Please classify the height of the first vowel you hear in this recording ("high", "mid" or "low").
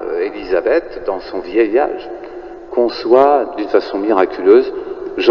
mid